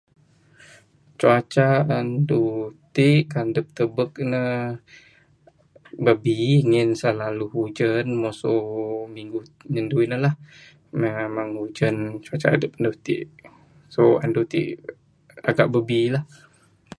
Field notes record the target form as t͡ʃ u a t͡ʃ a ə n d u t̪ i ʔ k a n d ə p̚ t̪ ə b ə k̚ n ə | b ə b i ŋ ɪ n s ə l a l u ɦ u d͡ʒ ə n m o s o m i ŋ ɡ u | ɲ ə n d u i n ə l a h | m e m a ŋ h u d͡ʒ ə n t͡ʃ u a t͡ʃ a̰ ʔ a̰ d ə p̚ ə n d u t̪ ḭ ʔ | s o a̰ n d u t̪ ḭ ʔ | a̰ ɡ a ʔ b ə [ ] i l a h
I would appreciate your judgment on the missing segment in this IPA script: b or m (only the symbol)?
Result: b